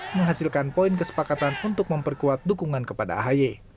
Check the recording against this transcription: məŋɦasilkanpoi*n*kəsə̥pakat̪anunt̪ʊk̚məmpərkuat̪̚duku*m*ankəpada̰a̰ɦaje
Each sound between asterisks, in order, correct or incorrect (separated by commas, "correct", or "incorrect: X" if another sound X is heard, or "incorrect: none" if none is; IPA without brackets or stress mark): correct, incorrect: ŋ